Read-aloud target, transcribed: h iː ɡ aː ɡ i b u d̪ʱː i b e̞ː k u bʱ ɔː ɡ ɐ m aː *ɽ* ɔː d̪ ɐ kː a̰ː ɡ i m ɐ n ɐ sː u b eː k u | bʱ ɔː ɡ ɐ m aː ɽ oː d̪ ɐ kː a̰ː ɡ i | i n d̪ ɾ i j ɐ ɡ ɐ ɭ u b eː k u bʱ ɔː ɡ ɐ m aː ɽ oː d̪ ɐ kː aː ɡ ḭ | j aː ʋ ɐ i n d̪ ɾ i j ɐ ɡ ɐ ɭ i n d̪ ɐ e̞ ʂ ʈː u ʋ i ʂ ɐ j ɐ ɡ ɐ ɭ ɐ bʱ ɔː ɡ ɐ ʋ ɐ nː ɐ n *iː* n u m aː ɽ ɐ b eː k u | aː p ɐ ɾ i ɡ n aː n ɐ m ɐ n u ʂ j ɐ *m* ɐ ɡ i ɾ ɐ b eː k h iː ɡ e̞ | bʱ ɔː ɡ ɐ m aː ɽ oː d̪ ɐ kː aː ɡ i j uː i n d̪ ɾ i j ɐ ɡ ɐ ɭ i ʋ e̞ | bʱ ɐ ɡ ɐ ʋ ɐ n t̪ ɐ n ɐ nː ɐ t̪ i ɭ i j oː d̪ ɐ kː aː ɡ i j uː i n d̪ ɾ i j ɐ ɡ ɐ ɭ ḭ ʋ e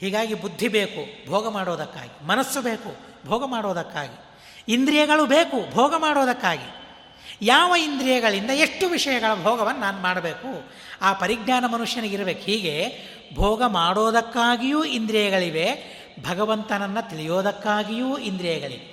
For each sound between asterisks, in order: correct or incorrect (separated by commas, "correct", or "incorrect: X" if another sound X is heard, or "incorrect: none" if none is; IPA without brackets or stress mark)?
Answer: correct, incorrect: aː, incorrect: n